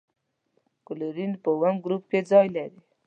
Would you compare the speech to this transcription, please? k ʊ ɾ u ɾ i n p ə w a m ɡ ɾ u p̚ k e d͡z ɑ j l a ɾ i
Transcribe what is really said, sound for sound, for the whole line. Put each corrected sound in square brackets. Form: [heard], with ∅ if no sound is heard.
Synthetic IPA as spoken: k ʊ [l] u ɾ i n p ə w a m ɡ ɾ u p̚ k e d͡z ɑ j l a ɾ i

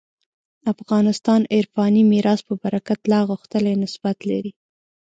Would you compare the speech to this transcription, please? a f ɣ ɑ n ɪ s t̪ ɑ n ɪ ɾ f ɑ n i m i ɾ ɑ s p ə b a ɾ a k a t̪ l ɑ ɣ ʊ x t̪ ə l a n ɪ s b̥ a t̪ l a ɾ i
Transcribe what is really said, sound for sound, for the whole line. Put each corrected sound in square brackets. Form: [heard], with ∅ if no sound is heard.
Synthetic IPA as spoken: a f ɣ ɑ n ɪ s t̪ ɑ n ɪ ɾ f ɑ n i m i ɾ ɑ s p ə b a ɾ a k a t̪ l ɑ ɣ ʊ x t̪ ə l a n ɪ s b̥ a t̪ l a ɾ i

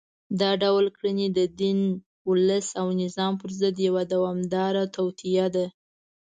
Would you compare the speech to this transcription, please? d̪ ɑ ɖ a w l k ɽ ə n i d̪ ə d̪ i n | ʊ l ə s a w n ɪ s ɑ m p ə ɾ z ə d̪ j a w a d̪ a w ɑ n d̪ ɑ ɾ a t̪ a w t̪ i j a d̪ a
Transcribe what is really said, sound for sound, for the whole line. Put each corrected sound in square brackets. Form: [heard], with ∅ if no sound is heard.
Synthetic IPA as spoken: d̪ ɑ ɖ a w l k ɽ ə n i d̪ ə d̪ i n | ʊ l ə s a w n ɪ [z] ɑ m p ə ɾ z ə d̪ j a w a d̪ a w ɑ [m] d̪ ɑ ɾ a t̪ a w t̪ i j a d̪ a

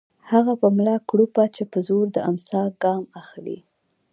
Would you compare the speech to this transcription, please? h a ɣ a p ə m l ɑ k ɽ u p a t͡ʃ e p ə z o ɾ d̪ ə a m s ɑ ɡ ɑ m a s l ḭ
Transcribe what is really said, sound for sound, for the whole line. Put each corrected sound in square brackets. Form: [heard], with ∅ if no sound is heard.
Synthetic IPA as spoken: h a ɣ a p ə m l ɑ k ɽ u p a t͡ʃ e p ə z o ɾ d̪ ə a m s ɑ ɡ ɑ m a [x] l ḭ

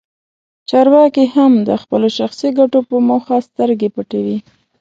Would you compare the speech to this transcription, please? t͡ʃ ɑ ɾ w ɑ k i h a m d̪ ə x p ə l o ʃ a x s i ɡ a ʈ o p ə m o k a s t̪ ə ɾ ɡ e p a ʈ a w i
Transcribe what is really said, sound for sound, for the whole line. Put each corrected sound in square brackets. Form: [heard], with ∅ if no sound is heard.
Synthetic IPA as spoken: t͡ʃ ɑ ɾ w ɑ k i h a m d̪ ə x p ə l o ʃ a x s i ɡ a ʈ o p ə m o [x] a s t̪ ə ɾ ɡ e p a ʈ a w i

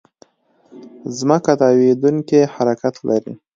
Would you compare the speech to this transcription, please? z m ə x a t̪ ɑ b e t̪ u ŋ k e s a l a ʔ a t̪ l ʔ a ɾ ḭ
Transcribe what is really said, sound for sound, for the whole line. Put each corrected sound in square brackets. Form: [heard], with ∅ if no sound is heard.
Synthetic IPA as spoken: z m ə [k] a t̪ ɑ [w] e [d̪] u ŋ k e [h] a [ɾ] a [k] a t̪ l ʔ a ɾ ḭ

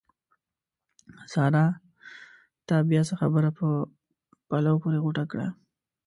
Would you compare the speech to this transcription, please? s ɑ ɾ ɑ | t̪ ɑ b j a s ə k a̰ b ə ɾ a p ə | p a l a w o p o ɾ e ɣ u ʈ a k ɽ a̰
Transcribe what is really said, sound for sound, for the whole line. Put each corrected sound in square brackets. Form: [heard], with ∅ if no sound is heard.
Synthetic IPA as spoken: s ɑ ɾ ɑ | t̪ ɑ b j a s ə [x] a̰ b ə ɾ a p ə | p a l a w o p o ɾ e ɣ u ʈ a k ɽ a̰

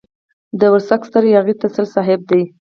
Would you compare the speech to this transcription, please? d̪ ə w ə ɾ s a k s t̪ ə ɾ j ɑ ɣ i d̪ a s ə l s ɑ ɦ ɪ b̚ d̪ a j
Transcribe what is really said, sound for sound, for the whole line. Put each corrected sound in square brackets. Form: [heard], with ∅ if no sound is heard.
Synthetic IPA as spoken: d̪ ə w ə ɾ s a k s t̪ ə ɾ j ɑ ɣ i [t̪] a s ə l s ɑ ɦ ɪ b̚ d̪ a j

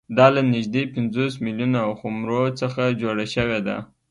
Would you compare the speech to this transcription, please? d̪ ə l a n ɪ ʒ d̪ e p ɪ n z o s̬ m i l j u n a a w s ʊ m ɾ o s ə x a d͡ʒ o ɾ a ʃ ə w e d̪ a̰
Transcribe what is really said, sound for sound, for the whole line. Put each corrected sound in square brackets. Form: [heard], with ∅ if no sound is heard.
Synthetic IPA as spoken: d̪ [ɑ] l a n ɪ ʒ d̪ e p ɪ n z o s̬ m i l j u n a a w [x] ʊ m ɾ o [t͡s] ə x a d͡ʒ o [ɽ] a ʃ ə w e d̪ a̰

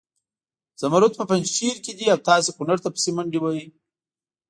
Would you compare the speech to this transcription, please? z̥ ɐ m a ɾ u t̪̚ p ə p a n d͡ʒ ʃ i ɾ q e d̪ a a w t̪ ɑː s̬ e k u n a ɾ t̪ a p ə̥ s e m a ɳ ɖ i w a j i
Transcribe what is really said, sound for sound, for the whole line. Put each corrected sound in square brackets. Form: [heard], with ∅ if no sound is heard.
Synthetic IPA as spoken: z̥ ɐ m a ɾ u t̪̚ p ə p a n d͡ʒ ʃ i ɾ [k] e d̪ [i] a w t̪ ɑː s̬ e k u n a ɾ t̪ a p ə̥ s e m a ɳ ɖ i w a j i

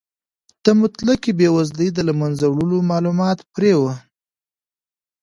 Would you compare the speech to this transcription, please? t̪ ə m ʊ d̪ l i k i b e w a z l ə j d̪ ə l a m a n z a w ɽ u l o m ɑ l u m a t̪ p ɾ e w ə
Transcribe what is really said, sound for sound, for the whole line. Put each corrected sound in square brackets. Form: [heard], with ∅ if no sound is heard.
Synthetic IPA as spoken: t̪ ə m ʊ [t̪] l [a] k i b e w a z l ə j d̪ ə l a m a n z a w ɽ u l o m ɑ l u m [ɑ] t̪ p ɾ e w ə

